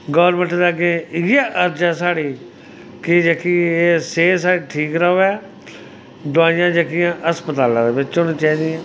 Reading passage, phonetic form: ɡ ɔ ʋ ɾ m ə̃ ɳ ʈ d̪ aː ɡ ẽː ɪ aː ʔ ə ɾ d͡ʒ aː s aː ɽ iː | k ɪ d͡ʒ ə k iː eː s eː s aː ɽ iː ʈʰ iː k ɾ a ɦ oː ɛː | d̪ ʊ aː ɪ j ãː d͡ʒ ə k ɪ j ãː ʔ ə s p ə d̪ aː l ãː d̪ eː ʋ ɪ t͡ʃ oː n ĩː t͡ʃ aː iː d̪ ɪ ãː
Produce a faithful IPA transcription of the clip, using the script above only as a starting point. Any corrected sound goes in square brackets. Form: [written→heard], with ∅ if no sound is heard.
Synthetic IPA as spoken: ɡ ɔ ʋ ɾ m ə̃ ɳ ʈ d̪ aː ɡ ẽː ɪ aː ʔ ə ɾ d͡ʒ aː s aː ɽ iː | k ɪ d͡ʒ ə k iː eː s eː s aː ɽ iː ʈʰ iː k ɾ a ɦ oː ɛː | d̪ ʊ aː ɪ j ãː d͡ʒ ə k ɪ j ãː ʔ ə s p ə [d̪→t̪] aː l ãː d̪ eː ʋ ɪ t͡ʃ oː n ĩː t͡ʃ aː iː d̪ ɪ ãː